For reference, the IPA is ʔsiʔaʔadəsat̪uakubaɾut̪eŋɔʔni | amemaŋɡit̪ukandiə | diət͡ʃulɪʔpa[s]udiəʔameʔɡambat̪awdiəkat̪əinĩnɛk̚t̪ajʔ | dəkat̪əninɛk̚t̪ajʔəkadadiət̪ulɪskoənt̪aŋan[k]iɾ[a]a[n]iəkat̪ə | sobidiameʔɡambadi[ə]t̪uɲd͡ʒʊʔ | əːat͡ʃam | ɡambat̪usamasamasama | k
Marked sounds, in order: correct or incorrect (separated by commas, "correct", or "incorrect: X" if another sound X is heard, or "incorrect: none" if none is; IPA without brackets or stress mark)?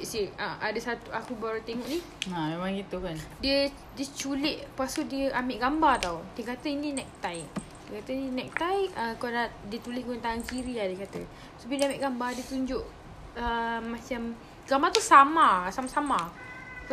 correct, correct, incorrect: i, incorrect: d, correct